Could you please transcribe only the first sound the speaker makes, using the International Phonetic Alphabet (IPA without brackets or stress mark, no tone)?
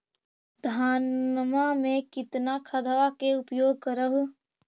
d̪ʱ